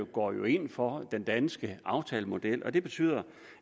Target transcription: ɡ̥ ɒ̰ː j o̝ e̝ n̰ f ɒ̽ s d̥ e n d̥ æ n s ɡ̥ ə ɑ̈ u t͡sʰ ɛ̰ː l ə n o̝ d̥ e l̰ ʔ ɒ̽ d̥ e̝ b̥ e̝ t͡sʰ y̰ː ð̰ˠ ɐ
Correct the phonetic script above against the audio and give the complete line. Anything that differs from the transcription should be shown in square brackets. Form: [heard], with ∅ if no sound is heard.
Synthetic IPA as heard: ɡ̥ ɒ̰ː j o̝ e̝ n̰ f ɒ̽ [∅] d̥ e n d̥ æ n s ɡ̥ ə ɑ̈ [ʊ] t͡sʰ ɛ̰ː l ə [m] o̝ d̥ e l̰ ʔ ɒ̽ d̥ e̝ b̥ e̝ t͡sʰ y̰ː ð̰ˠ ɐ